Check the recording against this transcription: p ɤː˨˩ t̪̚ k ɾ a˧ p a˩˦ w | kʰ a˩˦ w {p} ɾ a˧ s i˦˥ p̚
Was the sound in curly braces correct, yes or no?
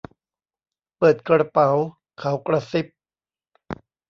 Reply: no